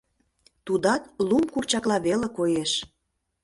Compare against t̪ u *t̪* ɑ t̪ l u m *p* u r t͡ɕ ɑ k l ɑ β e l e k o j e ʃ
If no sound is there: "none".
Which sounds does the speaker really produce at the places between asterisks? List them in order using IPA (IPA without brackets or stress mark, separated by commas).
d̪, k